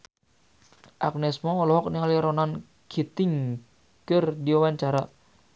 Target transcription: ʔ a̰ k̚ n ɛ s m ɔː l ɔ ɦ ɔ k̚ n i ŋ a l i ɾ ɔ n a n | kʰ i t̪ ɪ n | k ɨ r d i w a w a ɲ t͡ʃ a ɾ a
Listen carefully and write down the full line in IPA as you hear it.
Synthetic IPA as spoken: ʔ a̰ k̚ n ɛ s m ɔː l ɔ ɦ ɔ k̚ n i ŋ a l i ɾ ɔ n a n | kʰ i t̪ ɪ ŋ | k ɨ r d i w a w a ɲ t͡ʃ a ɾ a